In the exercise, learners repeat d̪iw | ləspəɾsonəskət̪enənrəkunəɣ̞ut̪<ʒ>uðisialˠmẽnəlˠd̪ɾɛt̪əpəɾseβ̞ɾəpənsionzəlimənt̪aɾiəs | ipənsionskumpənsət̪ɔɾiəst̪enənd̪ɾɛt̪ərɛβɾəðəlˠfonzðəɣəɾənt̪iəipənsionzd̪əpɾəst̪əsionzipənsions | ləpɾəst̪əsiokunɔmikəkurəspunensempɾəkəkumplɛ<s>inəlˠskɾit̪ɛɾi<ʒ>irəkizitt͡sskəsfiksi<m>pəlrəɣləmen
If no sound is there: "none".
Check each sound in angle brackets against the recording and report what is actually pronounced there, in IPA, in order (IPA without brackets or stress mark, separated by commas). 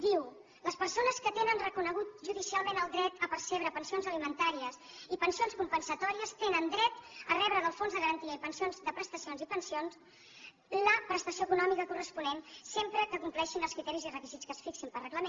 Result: ʒ, ʃ, z, m